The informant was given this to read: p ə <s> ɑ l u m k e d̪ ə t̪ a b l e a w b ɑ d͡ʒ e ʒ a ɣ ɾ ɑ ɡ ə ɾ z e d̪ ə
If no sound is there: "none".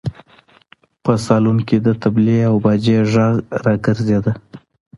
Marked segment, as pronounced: s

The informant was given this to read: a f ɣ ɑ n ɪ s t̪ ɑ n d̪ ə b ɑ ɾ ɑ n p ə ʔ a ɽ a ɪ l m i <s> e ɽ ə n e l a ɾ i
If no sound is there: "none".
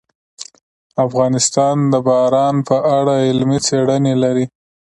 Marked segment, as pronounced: t͡s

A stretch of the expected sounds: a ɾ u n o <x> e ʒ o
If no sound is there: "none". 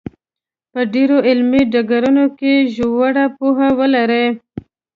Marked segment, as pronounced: k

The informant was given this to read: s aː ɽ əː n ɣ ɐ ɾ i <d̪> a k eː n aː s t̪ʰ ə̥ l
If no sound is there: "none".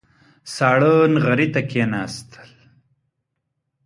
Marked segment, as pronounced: t̪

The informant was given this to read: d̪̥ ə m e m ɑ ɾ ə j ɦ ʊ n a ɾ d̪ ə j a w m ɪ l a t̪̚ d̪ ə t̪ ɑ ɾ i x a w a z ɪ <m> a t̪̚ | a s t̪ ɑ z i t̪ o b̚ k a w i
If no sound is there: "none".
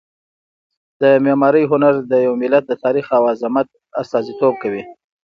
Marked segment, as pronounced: m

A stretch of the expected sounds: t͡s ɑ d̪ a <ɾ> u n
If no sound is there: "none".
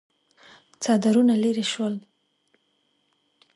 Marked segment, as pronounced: ɾ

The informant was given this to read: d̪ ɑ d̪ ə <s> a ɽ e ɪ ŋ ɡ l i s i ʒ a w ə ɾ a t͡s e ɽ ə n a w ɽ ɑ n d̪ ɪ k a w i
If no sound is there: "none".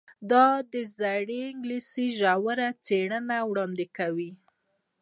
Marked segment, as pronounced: z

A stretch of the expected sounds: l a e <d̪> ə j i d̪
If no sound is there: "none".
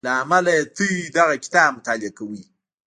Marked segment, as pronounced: t̪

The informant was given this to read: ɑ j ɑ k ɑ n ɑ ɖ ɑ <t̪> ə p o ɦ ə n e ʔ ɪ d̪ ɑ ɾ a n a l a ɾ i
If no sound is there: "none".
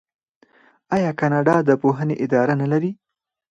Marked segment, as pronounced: d̪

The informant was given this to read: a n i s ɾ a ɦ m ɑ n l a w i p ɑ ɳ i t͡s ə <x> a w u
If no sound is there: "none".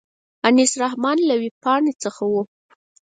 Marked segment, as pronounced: x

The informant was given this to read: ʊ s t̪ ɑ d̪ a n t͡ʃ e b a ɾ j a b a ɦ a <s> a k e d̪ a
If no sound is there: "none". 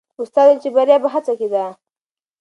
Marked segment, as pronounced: t͡s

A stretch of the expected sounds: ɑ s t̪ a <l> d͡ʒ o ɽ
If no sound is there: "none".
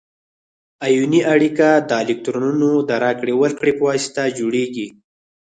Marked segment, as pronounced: none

